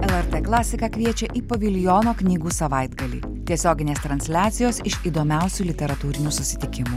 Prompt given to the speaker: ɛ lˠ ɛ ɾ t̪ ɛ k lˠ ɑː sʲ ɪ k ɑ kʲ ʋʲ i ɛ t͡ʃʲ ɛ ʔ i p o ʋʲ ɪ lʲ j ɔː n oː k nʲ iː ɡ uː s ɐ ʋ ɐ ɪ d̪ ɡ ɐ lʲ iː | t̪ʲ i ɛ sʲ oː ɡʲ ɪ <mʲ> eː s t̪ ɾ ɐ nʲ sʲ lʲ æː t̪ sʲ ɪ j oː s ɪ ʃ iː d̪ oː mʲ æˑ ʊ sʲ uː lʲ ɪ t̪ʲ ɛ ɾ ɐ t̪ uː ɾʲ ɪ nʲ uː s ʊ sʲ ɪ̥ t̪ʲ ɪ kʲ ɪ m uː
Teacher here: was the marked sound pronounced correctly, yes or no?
no